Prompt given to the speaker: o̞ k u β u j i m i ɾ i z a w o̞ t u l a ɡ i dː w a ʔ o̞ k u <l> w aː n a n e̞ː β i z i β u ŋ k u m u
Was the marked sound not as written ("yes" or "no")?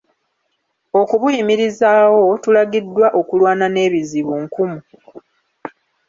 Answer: no